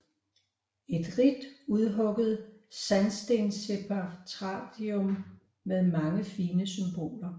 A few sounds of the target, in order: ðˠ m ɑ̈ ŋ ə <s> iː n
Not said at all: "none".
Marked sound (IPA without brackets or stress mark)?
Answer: f